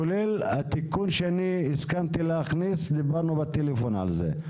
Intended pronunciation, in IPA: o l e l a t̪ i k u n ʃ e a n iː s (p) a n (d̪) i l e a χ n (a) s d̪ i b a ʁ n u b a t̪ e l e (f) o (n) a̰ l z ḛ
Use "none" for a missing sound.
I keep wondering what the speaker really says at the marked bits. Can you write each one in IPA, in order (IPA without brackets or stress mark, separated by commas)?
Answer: k, t̪, i, f, n